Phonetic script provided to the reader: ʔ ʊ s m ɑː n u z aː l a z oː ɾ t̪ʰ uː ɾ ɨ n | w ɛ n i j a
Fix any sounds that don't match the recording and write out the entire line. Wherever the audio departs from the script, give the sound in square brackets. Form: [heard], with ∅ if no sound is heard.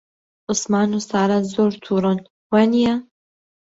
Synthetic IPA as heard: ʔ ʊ s m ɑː n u [s] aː [ɾ] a z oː ɾ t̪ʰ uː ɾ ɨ n | w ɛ n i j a